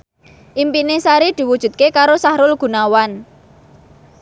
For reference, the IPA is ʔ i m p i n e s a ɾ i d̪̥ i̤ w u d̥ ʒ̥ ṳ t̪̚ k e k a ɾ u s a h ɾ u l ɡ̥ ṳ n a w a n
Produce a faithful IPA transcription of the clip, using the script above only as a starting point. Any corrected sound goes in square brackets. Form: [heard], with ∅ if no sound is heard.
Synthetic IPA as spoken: ʔ i m p i n e s a ɾ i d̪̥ i̤ w u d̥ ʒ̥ ṳ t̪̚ k e k a ɾ [o] s a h ɾ [ʊ] l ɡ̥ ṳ n a w a n